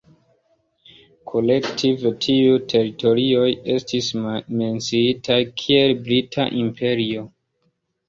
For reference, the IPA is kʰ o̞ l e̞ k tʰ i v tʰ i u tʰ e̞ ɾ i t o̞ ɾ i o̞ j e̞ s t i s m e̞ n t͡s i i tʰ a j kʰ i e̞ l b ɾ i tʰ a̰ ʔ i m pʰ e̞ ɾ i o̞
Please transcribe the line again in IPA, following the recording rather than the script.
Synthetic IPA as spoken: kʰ o̞ l e̞ k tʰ i v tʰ i u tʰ e̞ ɾ i t o̞ ɾ i o̞ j e̞ s t i s m e̞ n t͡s i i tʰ a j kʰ i e̞ l b ɾ i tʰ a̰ ʔ i m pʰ e̞ ɾ i o̞